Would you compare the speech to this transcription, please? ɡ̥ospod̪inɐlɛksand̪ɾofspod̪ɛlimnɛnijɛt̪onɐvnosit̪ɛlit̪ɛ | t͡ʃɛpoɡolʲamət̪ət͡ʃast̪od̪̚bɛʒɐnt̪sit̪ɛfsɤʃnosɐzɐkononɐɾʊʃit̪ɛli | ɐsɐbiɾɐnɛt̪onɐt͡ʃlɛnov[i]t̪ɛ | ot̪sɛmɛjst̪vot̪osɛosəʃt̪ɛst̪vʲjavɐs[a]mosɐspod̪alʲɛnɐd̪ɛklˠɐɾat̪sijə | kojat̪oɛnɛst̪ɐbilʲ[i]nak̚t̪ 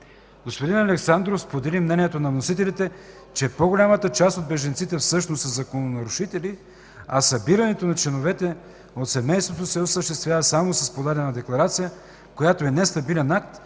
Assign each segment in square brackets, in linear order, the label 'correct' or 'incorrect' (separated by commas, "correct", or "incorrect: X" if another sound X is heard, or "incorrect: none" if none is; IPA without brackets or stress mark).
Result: incorrect: ɛ, correct, incorrect: ɛ